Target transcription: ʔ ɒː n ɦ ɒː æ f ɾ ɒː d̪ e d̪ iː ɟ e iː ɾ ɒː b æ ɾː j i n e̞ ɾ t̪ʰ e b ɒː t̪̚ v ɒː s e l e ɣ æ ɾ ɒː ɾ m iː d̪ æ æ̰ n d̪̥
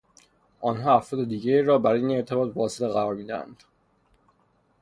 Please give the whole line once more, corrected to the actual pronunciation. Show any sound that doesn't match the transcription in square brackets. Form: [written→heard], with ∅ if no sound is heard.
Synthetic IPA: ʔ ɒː n ɦ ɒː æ f ɾ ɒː d̪ e d̪ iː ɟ e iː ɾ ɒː b æ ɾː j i n e̞ ɾ t̪ʰ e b ɒː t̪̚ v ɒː s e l e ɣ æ ɾ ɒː ɾ m iː d̪ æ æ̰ n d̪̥